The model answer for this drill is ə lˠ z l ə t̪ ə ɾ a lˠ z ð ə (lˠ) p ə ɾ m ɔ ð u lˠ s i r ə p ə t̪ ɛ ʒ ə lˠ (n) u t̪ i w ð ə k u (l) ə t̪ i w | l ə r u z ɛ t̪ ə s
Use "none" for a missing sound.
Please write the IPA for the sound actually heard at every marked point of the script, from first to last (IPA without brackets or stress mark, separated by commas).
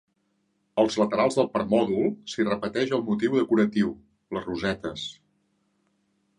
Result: lˠ, m, ɾ